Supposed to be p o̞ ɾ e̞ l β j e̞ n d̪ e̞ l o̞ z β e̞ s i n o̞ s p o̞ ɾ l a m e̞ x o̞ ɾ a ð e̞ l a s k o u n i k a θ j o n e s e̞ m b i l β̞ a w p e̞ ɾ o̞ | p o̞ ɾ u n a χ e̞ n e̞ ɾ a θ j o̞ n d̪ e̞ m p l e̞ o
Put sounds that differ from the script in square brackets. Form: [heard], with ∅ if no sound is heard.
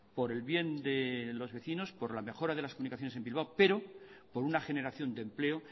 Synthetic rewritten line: p o̞ ɾ e̞ l β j e̞ n d̪ e̞ l o̞ z β e̞ [θ] i n o̞ s p o̞ ɾ l a m e̞ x o̞ ɾ a ð e̞ l a s k o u n i k a θ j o n e s e̞ m b i l β̞ a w p e̞ ɾ o̞ | p o̞ ɾ u n a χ e̞ n e̞ ɾ a θ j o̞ n d̪ e̞ m p l e̞ o